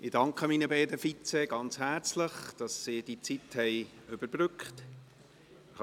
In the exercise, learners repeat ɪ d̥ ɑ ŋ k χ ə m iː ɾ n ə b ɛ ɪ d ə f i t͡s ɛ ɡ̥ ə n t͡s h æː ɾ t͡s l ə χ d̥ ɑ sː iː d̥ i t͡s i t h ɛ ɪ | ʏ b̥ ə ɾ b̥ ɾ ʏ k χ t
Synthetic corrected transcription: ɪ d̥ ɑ ŋ k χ ə m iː n ə b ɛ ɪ d ə f i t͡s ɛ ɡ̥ ɑ n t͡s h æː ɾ t͡s l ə χ d̥ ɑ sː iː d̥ i t͡s i t h ɛ ɪ | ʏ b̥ ə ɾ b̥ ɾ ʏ k χ t

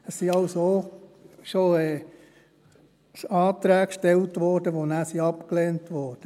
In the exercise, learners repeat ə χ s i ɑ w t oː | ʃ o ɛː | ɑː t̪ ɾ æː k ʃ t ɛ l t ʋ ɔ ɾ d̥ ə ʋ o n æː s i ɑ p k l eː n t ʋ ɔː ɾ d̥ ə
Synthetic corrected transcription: ə s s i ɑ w s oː | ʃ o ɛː | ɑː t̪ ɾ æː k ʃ t ɛ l t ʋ ɔ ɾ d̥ ə ʋ o n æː s i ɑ p k l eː n t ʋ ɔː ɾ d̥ ə

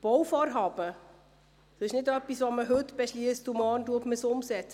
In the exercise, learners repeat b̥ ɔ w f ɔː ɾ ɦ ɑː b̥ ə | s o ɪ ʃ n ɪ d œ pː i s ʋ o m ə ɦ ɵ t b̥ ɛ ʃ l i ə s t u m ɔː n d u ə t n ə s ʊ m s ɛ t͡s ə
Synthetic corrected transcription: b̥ ɔ w f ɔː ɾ ɦ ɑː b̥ ə | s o ɪ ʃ n ɪ d œ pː i s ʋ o m ə ɦ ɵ t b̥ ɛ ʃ l i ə s t u m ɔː n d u ə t m ə s ʊ m s ɛ t͡s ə

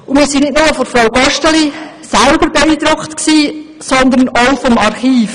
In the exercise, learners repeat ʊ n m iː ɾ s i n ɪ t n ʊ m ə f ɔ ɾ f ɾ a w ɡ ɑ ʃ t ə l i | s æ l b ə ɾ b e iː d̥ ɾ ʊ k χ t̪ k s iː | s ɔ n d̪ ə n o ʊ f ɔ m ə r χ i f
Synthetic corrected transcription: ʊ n m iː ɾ s i n ɪ t n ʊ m ə f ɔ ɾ f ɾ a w ɡ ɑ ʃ t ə l i | s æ l b ə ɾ b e iː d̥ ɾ ʊ k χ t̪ k s iː | s ɔ n d̪ ə n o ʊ f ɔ m ɑ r χ iː f

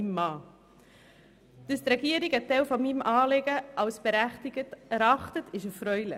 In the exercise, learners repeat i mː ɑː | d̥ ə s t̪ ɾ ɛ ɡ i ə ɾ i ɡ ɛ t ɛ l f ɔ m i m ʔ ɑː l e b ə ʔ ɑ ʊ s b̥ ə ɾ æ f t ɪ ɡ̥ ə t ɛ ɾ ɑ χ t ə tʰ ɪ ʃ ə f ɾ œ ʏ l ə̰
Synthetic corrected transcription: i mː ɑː | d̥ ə s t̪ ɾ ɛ ɡ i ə ɾ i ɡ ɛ t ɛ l f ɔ m i m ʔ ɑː l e ɡ ə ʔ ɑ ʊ s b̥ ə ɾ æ χ t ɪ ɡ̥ ə t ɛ ɾ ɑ χ t ə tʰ ɪ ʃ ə f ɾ œ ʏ l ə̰

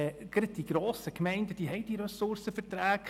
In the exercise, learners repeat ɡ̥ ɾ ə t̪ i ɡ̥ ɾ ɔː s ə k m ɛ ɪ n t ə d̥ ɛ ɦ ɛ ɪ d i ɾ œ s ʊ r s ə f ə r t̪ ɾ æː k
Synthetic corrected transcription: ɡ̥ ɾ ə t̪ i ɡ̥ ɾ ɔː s ə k m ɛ ɪ n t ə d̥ i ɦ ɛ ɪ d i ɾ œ s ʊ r s ə f ə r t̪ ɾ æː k

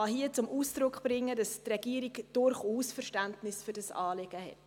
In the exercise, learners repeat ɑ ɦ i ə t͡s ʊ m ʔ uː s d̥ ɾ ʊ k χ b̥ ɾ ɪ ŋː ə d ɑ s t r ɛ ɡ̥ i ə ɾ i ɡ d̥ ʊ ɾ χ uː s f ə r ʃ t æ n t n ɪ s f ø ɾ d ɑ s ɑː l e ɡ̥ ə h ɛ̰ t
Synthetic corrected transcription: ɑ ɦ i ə t͡s ʊ m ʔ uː s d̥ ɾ ʊ k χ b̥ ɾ ɪ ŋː ə d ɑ s t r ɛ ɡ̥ i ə ɾ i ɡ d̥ ʊ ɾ χ uː s f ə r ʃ t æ n t n ɪ s f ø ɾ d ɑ s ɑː l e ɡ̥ ə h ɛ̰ t

